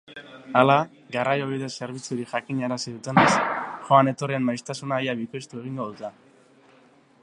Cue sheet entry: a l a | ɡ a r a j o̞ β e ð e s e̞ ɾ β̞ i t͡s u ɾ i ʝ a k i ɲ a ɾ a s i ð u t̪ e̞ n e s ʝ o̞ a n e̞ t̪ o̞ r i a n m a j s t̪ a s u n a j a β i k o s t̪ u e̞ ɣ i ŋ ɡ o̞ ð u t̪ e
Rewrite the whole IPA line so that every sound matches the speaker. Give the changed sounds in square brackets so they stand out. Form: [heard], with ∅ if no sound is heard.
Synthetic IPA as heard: a l a | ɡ a r a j o̞ β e ð e s e̞ ɾ β̞ i t͡s u ɾ i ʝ a k i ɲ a ɾ a s i ð u t̪ e̞ n e s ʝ o̞ a n e̞ t̪ o̞ r i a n m a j s t̪ a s u n a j a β i k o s t̪ u e̞ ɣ i ŋ ɡ o̞ ð u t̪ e

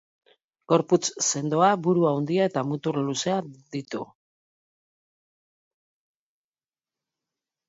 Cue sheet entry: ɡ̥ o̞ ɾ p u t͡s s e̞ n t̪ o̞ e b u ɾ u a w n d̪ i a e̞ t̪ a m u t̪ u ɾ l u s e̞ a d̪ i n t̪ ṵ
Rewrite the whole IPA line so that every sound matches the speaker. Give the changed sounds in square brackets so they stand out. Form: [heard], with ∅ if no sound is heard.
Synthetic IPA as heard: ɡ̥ o̞ ɾ p u t͡s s e̞ n [d̪] o̞ [a] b u ɾ u a w n d̪ i a e̞ t̪ a m u t̪ u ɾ l u s e̞ a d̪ i [∅] t̪ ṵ

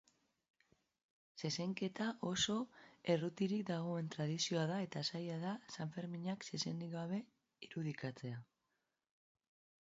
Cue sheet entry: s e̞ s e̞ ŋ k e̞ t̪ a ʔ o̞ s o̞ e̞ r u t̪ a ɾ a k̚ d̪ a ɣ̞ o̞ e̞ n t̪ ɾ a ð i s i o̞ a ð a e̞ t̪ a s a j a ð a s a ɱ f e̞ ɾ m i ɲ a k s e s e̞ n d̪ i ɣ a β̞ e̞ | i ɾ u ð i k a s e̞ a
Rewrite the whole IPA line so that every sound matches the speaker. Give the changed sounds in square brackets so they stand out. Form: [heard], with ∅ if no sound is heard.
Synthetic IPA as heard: s e̞ s e̞ ŋ k e̞ t̪ a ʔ o̞ s o̞ e̞ r u t̪ [i] ɾ [i] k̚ d̪ a ɣ̞ o̞ e̞ n t̪ ɾ a ð i s i o̞ a ð a e̞ t̪ a s a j a ð a s a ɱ f e̞ ɾ m i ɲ a k s e s e̞ n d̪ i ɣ a β̞ e̞ | i ɾ u ð i k a [t͡s] e̞ a

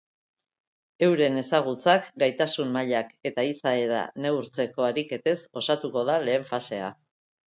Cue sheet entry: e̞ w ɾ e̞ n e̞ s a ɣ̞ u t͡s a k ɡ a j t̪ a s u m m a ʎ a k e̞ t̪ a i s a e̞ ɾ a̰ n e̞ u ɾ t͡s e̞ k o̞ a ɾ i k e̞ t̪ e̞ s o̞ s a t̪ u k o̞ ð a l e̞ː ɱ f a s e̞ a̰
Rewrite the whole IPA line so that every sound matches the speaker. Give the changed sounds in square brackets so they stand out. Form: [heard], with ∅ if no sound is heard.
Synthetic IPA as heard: e̞ w ɾ e̞ n e̞ s a ɣ̞ u t͡s a k ɡ a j t̪ a s u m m a ʎ a k e̞ t̪ a i s a e̞ ɾ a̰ n e̞ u ɾ t͡s e̞ k o̞ a ɾ i k e̞ t̪ e̞ s o̞ s a t̪ u k o̞ ð a l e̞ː ɱ f a s e̞ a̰

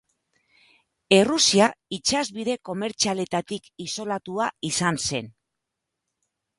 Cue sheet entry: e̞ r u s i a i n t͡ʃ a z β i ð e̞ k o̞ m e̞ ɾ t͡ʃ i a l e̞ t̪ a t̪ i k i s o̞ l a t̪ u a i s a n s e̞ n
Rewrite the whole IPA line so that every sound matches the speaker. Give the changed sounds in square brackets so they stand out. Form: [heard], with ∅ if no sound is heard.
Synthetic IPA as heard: e̞ r u s i a i [∅] t͡ʃ a z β i ð e̞ k o̞ m e̞ ɾ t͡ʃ i a l e̞ t̪ a t̪ i k i s o̞ l a t̪ u a i s a n s e̞ n

